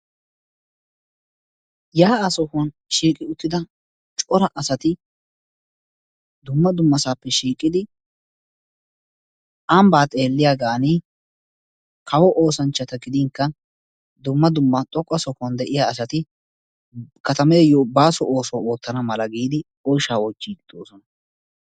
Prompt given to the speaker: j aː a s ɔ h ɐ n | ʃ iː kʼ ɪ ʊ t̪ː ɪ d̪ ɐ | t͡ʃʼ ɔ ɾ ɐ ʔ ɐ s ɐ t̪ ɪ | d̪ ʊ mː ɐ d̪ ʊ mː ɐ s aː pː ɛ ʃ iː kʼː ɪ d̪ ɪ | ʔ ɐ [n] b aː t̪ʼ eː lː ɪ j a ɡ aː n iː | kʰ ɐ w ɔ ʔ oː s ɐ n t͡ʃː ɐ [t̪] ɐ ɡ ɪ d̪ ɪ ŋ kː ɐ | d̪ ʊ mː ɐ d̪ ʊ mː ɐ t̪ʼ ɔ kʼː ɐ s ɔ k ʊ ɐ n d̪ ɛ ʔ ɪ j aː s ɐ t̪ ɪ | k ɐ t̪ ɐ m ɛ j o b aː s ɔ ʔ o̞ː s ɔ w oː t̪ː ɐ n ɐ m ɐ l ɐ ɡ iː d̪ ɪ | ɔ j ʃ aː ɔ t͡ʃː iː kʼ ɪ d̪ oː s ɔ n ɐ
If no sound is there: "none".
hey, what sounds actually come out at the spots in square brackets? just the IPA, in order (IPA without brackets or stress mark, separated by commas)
m, t̪